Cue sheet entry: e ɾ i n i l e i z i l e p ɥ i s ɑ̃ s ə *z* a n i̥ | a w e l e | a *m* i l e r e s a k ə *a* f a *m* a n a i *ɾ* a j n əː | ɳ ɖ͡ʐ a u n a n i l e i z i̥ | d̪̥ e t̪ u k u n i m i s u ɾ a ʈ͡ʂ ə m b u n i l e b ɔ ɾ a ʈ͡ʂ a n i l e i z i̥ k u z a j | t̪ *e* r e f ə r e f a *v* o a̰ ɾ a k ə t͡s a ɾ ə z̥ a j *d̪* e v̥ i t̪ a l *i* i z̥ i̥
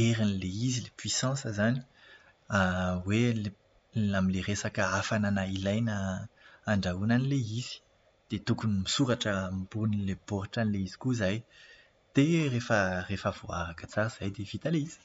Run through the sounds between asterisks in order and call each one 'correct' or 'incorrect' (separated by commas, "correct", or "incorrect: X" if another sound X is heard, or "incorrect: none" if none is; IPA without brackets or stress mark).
correct, correct, correct, incorrect: n, incorrect: l, correct, correct, correct, incorrect: e